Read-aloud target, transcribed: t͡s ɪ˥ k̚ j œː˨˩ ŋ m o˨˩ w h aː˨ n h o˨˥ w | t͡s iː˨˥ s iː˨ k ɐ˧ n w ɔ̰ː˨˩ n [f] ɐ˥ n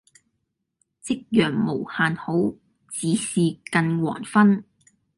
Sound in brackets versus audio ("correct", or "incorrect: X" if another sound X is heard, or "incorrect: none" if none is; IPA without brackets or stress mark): correct